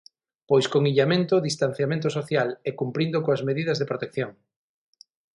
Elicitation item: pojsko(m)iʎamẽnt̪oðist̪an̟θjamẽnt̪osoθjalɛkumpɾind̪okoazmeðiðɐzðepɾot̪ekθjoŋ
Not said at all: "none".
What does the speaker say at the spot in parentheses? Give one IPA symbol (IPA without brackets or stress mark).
ŋ